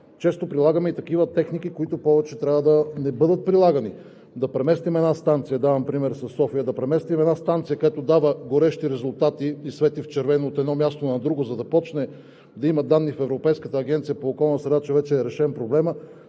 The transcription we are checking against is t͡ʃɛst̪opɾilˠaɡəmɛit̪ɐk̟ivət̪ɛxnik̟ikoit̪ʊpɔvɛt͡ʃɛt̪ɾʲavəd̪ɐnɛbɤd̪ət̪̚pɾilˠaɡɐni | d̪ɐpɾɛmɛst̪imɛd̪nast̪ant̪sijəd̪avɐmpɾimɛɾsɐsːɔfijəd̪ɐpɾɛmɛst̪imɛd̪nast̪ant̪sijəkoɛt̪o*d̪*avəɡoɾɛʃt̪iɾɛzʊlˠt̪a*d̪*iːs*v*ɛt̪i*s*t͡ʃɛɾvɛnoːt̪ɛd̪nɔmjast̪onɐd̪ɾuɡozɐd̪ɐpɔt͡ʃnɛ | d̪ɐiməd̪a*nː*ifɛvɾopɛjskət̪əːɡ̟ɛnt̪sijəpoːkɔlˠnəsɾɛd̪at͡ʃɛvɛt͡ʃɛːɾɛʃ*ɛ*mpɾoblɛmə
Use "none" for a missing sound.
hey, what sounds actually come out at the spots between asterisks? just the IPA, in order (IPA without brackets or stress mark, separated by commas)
d̪, t̪, v, f, nː, ɛ